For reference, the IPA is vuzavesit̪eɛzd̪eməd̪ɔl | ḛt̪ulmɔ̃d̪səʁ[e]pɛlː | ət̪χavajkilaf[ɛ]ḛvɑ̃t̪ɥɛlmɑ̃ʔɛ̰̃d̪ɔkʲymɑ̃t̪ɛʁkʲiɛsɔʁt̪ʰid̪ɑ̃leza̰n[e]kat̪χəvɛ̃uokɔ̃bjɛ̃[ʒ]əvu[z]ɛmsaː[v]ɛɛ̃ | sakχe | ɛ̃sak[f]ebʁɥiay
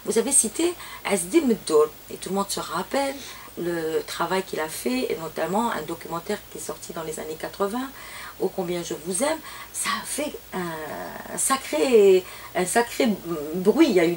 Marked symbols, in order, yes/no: no, yes, yes, yes, yes, no, no

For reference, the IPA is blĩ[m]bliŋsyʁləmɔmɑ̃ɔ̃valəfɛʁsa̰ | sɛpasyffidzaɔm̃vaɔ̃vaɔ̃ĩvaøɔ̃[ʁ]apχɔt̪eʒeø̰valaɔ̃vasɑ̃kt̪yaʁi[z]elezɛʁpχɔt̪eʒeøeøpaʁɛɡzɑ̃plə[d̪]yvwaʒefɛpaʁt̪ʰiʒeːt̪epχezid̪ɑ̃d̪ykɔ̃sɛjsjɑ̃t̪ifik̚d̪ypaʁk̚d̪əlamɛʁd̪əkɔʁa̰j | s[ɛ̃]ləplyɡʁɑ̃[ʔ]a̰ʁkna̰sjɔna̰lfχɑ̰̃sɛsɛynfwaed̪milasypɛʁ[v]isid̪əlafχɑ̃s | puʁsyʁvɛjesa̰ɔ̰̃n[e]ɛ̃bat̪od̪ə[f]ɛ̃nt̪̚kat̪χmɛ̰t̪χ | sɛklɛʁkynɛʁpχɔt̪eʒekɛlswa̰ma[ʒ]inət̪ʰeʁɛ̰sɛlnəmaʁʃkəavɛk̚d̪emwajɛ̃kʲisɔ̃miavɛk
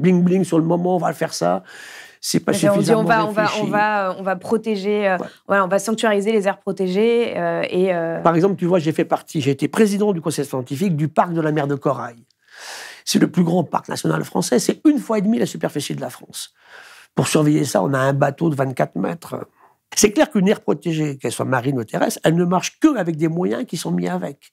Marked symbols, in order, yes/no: no, no, yes, no, no, no, no, no, no, no

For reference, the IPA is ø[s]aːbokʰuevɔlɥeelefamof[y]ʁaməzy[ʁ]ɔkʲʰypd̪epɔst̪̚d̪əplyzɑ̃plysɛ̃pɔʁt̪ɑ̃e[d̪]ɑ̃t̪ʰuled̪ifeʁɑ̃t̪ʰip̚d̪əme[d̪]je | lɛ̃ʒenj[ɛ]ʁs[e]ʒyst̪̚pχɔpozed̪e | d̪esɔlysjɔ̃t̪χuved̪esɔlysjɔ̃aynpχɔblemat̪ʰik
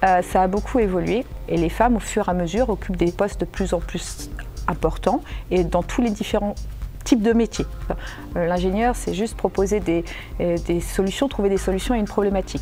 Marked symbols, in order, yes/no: yes, yes, yes, yes, no, no, no

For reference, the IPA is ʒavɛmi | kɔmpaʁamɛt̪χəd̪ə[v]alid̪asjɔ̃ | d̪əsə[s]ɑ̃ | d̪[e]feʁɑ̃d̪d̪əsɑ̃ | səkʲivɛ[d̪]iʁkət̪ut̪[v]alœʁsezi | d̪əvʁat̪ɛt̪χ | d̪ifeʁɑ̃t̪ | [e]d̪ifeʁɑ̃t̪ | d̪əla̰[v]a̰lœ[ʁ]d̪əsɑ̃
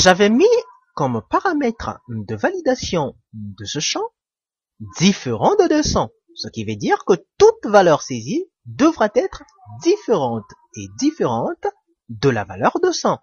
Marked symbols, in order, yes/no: yes, no, no, yes, yes, yes, yes, yes

